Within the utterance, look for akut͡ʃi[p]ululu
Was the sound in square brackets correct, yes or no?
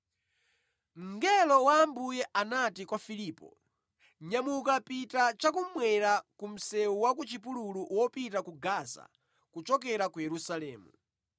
yes